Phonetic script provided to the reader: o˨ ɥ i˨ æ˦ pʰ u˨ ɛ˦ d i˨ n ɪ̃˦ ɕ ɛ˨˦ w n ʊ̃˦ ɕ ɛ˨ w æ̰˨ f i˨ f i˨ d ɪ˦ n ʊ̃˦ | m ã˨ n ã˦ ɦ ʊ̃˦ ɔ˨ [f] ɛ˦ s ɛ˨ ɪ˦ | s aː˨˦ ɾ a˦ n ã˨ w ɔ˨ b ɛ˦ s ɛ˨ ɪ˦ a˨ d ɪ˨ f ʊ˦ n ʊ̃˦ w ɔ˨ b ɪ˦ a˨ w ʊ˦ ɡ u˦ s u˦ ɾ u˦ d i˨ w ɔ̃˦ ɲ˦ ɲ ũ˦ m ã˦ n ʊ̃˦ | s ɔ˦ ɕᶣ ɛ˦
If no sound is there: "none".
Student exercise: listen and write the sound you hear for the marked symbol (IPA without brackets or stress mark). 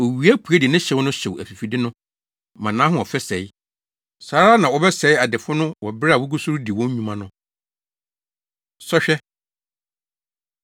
f